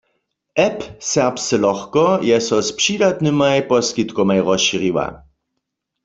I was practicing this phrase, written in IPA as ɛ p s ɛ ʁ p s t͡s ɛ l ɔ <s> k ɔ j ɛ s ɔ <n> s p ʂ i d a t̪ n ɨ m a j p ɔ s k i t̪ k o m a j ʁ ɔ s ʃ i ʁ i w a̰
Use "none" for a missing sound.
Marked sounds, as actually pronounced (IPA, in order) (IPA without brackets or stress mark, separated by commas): x, none